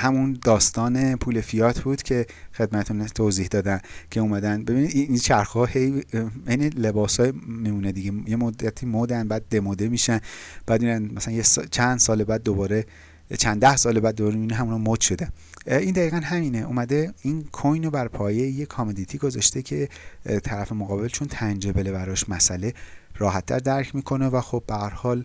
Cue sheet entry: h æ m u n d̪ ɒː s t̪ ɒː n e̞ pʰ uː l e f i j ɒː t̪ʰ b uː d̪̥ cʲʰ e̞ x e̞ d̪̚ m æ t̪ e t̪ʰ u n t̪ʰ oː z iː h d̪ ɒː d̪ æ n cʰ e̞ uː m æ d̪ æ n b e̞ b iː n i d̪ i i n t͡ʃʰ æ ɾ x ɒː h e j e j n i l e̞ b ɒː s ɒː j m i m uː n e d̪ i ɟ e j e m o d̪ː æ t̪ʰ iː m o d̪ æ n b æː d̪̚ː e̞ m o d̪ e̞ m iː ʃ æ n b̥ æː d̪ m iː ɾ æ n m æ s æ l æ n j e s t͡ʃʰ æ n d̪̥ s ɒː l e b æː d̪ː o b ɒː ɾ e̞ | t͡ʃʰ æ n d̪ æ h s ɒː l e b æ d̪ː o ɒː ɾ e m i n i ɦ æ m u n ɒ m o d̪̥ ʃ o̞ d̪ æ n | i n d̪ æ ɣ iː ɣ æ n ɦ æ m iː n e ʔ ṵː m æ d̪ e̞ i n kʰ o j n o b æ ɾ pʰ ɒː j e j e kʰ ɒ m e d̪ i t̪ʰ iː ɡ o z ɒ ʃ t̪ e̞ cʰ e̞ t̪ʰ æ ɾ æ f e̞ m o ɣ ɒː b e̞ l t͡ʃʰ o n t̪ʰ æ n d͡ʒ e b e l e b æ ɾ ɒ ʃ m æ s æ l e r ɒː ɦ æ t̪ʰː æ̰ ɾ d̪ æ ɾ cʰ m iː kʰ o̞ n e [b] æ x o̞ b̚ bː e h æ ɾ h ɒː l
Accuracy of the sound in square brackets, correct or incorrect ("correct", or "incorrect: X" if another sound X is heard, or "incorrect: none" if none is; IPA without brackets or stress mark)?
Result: incorrect: v